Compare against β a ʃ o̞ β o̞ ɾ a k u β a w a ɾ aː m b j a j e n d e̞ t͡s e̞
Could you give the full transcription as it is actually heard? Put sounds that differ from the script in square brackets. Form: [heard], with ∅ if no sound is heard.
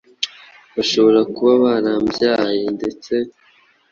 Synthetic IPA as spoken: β a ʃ o̞ β o̞ ɾ a k u β a [β] a ɾ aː m b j a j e n d e̞ t͡s e̞